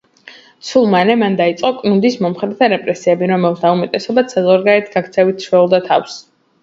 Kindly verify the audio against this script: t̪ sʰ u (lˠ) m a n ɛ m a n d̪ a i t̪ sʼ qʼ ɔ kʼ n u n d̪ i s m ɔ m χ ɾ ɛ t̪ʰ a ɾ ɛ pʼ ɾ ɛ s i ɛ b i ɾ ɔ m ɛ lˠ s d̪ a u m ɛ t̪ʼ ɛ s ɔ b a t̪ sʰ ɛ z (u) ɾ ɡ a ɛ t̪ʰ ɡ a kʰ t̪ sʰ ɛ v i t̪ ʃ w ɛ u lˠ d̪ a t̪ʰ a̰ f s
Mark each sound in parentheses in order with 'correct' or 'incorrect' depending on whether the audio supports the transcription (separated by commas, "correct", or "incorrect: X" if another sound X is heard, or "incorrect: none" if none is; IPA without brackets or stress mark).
correct, incorrect: ɔ